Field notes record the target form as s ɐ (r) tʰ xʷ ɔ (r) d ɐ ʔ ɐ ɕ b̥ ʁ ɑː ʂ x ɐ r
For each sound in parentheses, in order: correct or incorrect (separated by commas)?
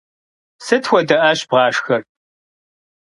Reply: incorrect, incorrect